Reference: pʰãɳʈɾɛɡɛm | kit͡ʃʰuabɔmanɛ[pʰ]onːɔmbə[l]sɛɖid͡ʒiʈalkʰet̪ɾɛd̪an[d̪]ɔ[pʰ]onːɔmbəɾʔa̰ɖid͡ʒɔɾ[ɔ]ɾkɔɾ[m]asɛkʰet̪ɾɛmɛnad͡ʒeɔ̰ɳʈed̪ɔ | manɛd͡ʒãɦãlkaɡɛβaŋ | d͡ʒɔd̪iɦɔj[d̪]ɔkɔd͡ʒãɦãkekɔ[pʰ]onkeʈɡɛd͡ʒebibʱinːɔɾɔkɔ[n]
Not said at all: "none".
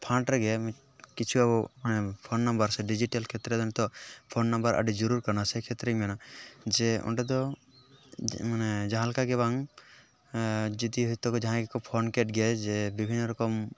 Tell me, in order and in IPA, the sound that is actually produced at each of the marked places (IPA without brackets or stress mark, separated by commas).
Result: pʰ, ɾ, t̪, pʰ, u, n, t̪, pʰ, m